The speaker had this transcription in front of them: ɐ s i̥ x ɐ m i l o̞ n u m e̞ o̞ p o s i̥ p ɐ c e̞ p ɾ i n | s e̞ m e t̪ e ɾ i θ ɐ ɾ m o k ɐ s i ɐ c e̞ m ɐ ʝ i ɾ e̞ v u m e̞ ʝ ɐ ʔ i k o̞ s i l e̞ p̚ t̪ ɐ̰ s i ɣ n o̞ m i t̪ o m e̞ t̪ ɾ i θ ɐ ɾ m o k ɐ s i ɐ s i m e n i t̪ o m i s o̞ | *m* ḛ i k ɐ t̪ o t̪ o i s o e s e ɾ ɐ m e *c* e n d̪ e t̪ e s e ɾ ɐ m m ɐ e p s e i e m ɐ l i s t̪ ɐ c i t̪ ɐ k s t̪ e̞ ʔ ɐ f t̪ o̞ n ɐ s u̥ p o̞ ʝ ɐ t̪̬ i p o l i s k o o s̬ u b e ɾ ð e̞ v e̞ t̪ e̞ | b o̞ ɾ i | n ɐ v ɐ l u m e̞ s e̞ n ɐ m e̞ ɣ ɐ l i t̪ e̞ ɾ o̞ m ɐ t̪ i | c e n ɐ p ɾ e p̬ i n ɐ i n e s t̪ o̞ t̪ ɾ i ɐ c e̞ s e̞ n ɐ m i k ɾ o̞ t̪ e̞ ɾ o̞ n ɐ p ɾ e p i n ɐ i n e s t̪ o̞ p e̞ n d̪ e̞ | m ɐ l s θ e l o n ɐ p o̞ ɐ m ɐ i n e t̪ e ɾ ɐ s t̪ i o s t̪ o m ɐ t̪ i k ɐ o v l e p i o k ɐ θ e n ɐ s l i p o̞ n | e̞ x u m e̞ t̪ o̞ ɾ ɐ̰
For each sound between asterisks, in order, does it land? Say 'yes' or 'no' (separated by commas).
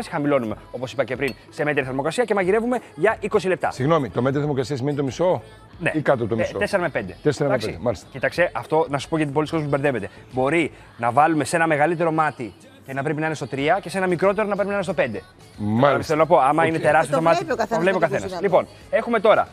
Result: no, no